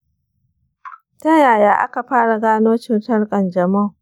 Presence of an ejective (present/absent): present